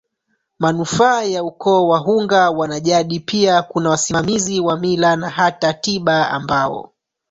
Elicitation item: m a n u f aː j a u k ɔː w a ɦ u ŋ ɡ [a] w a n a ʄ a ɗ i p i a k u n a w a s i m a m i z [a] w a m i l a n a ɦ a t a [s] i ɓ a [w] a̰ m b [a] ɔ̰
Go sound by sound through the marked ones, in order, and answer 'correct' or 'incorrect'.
correct, incorrect: i, incorrect: t, incorrect: none, correct

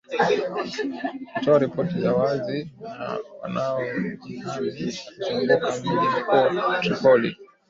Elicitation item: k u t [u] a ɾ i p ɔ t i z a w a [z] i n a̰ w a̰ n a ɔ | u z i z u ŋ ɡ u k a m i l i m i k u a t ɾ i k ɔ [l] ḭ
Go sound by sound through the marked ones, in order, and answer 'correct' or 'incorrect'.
incorrect: ɔ, correct, correct

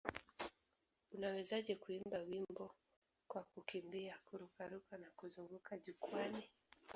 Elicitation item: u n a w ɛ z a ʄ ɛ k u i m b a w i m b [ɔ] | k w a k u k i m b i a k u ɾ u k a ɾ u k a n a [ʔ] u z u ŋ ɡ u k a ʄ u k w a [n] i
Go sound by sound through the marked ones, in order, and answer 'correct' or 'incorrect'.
correct, incorrect: k, correct

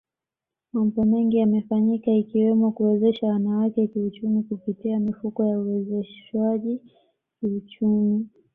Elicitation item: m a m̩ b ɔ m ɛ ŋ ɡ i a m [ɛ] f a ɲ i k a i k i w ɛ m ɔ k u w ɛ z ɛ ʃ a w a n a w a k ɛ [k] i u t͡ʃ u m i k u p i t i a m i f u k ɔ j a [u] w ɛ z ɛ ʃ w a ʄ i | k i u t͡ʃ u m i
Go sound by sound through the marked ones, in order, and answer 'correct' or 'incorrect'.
correct, correct, correct

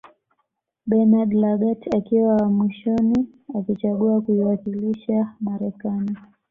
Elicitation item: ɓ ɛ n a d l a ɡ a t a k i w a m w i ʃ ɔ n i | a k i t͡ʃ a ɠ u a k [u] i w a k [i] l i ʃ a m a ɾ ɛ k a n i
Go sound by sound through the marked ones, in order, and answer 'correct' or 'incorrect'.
correct, correct

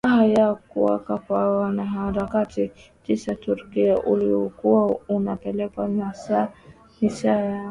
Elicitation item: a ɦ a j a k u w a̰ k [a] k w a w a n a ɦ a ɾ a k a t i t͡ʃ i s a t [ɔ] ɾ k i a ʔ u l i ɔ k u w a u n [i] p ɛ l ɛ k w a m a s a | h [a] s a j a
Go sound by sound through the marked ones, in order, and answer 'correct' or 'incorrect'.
correct, incorrect: u, incorrect: a, incorrect: i

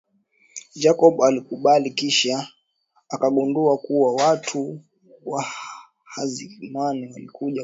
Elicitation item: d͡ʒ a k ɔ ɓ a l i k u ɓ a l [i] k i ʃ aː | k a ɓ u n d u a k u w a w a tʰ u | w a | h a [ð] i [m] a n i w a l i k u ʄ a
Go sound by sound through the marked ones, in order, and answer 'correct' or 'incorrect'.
correct, incorrect: z, correct

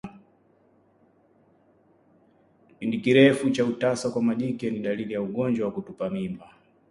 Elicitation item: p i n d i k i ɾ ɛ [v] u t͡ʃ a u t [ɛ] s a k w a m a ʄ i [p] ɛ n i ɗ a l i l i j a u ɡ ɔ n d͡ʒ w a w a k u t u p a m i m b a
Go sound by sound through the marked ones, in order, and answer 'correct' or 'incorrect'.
incorrect: f, incorrect: a, incorrect: k

